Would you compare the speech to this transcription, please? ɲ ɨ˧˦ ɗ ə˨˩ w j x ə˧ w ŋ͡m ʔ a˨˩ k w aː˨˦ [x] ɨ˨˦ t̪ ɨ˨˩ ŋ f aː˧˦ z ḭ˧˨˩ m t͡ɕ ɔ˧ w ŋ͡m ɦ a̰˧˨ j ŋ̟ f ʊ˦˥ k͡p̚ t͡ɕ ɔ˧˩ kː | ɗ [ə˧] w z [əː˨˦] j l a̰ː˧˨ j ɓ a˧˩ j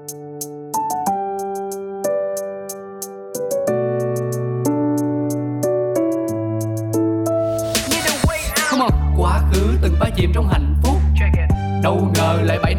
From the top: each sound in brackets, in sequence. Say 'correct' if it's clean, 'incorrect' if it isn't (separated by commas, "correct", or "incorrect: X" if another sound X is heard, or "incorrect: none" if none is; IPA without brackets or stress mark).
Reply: correct, incorrect: ə˨˩, incorrect: əː˨˩